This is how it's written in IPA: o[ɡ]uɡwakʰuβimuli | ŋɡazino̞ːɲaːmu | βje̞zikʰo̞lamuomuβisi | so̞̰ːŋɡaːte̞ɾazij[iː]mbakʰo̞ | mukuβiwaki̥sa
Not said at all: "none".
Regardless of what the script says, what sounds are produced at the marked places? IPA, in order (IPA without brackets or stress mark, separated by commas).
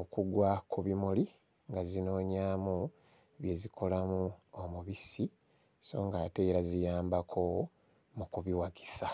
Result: k, aː